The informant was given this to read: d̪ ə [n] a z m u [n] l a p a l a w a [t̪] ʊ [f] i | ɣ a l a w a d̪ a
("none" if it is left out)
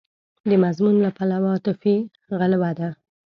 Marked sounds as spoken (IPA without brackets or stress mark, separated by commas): m, n, t̪, f